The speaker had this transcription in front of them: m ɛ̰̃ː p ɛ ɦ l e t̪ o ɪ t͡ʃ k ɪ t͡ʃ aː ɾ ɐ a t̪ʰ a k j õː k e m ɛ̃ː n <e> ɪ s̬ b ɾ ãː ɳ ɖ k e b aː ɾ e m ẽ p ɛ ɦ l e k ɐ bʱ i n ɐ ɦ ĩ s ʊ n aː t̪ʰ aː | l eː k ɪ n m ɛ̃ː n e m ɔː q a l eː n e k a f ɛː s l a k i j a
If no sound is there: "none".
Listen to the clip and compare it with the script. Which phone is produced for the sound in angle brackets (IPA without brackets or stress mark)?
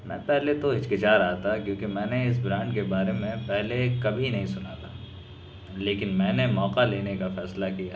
e